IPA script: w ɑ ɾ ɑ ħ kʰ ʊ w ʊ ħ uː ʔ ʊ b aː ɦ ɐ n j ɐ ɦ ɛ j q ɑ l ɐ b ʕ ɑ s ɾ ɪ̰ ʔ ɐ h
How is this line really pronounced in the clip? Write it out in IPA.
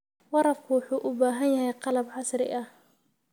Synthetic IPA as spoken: w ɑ ɾ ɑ f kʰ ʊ w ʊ ħ uː ʔ ʊ b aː ɦ ɐ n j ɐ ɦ ɛ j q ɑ l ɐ b ʕ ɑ s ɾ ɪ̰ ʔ ɐ h